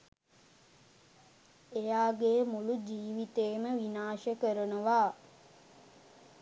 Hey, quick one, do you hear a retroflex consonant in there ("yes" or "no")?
no